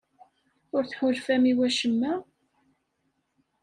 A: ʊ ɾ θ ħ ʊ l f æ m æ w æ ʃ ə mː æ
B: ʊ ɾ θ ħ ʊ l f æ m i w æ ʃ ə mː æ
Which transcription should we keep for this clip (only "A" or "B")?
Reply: B